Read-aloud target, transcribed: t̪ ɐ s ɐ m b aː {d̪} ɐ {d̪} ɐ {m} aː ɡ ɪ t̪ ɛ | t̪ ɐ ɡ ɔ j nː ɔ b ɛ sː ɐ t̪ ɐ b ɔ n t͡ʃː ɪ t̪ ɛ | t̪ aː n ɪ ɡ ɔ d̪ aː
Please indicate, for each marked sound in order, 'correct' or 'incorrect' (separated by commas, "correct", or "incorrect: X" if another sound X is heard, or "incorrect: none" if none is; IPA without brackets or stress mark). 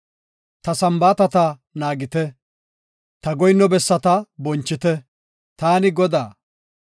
incorrect: t̪, incorrect: t̪, incorrect: n